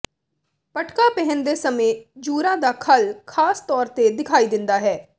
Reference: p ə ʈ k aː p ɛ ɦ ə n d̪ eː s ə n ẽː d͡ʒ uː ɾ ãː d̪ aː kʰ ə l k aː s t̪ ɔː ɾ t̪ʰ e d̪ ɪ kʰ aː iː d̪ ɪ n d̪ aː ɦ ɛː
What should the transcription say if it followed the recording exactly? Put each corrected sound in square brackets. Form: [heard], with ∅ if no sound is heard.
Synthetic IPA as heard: p ə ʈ k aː p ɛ ɦ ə n d̪ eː s ə [m] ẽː d͡ʒ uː ɾ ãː d̪ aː kʰ ə l [kʰ] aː s t̪ ɔː ɾ [t̪] e d̪ ɪ kʰ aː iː d̪ ɪ n d̪ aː ɦ ɛː